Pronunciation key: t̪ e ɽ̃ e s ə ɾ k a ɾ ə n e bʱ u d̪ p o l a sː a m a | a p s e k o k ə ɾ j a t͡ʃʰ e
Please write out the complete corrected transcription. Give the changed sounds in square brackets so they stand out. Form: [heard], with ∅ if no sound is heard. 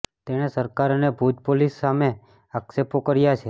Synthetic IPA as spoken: t̪ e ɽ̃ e s ə ɾ k a ɾ ə n e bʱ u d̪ p o l [i] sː a m [e] | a [k] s e [p] o k ə ɾ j a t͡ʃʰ e